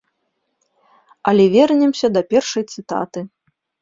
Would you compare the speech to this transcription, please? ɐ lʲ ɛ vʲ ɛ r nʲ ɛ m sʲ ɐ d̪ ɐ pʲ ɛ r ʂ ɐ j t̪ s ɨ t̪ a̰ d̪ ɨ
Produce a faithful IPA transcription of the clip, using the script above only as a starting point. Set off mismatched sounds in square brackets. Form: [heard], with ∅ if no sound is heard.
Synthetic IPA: ɐ lʲ ɛ vʲ ɛ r nʲ ɛ m sʲ ɐ d̪ ɐ pʲ ɛ r ʂ ɐ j t̪ s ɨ t̪ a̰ [t̪] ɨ

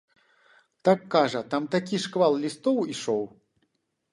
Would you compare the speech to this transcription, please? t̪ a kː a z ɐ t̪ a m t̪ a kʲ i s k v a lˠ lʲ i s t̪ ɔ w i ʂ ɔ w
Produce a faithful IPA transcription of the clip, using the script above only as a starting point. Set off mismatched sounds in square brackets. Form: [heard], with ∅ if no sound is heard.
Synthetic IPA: t̪ a kː a [ʐ] ɐ t̪ a m t̪ a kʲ i [ʂ] k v a lˠ lʲ i s t̪ ɔ w i ʂ ɔ w

